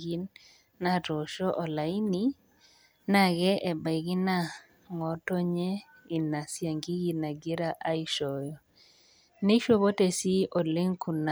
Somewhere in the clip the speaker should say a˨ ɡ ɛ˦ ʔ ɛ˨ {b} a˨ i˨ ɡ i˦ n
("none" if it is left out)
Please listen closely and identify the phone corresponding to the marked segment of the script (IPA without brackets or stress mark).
b